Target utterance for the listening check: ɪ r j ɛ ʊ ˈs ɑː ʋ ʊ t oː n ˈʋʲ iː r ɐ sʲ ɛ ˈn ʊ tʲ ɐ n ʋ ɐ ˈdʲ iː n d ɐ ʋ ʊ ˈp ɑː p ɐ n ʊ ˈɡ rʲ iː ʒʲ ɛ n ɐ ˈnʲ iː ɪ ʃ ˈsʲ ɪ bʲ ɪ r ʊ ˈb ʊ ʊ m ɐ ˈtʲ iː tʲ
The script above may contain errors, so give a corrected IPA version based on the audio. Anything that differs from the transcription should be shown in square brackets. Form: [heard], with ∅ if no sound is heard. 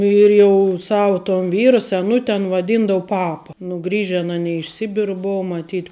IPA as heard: ɪ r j ɛ ʊ ˈs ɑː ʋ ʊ t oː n ˈʋʲ iː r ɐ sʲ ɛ ˈn ʊ tʲ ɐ n ʋ ɐ ˈdʲ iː n d ɐ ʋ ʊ ˈp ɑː p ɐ n ʊ ˈɡ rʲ iː ʒʲ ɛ n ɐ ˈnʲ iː ɪ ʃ ˈsʲ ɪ bʲ ɪ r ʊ ˈb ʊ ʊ m ɐ ˈtʲ iː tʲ